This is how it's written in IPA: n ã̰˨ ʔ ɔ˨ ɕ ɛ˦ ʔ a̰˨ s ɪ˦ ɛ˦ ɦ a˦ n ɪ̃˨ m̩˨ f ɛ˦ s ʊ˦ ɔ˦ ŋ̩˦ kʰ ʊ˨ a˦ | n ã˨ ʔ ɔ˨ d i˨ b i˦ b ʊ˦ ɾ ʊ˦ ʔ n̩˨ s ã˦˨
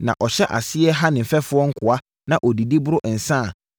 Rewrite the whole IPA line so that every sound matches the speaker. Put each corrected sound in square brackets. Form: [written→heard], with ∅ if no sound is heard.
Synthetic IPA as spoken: n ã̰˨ ʔ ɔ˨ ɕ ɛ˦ ʔ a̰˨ s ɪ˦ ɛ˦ ɦ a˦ n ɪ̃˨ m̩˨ f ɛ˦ [s→f] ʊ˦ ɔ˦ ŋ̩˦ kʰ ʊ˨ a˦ | n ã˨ ʔ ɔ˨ d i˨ [b→d] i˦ b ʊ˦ ɾ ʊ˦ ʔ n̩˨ s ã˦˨